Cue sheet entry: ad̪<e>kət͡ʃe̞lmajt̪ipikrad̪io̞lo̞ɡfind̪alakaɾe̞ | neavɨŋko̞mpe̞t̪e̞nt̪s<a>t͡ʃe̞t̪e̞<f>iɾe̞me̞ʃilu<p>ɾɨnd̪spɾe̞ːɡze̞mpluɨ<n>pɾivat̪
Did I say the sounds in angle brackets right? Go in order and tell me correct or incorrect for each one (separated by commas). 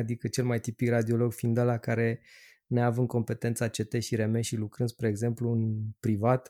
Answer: incorrect, correct, incorrect, incorrect, correct